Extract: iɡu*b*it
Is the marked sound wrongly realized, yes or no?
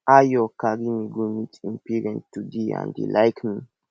yes